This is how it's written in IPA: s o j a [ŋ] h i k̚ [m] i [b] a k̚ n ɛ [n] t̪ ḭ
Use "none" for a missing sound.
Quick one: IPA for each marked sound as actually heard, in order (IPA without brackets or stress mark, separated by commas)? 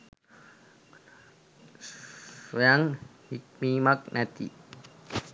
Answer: ŋ, m, m, none